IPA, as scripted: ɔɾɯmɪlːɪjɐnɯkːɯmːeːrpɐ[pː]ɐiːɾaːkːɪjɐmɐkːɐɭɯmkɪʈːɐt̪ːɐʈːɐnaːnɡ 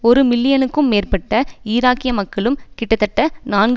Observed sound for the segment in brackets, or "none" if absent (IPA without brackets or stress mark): ʈː